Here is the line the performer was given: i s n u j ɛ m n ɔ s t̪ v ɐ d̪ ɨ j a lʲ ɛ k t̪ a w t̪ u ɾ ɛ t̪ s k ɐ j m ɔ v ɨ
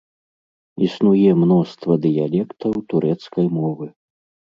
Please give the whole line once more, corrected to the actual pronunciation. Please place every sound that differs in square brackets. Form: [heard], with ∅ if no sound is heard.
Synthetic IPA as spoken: i s n u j ɛ m n ɔ s t̪ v ɐ d̪ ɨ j a lʲ ɛ k t̪ [ɐ] w t̪ u ɾ ɛ t̪ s k ɐ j m ɔ v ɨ